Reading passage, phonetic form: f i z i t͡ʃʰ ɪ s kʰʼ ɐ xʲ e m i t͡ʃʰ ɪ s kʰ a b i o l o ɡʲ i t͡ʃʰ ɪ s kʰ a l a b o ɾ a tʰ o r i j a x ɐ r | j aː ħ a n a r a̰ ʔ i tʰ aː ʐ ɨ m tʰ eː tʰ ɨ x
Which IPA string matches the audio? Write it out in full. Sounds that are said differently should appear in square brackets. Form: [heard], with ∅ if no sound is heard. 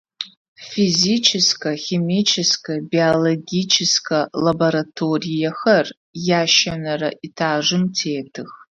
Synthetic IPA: f i z i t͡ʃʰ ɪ s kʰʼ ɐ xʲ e m i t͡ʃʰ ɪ s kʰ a b i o l o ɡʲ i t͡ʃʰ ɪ s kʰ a l a b o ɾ a tʰ o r i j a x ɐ r | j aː [ʃ] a n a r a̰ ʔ i tʰ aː ʐ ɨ m tʰ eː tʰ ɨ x